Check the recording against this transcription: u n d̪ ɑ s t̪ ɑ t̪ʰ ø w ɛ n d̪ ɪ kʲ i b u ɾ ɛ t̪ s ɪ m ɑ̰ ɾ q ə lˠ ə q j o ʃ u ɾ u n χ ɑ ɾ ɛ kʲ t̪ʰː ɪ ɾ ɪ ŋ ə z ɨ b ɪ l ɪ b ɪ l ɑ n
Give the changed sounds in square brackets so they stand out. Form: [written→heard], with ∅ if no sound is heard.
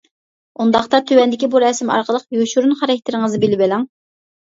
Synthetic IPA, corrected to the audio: u n d̪ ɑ [s→χ] t̪ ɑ t̪ʰ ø w ɛ n d̪ ɪ kʲ i b u ɾ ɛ [t̪→∅] s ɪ m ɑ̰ ɾ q ə lˠ ə q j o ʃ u ɾ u n χ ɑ ɾ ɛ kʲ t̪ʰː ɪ ɾ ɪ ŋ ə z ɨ b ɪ l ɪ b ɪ l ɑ [n→ŋ]